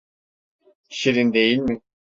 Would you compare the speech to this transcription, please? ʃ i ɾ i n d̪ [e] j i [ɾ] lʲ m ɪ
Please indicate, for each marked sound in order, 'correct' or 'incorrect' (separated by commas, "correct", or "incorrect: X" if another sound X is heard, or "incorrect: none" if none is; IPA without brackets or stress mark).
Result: correct, incorrect: none